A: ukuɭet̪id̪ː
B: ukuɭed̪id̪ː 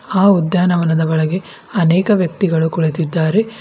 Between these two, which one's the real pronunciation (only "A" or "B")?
A